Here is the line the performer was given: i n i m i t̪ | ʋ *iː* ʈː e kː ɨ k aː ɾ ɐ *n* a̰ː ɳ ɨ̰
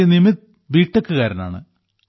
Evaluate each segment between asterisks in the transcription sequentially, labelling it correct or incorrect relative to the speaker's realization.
correct, correct

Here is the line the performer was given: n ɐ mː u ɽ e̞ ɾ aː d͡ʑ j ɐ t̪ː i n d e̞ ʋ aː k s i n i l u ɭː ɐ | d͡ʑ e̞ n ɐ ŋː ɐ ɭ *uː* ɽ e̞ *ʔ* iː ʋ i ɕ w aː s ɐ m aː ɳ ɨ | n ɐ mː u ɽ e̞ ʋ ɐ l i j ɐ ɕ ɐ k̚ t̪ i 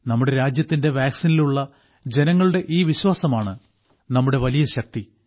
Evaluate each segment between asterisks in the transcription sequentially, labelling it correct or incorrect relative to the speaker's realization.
incorrect: u, correct

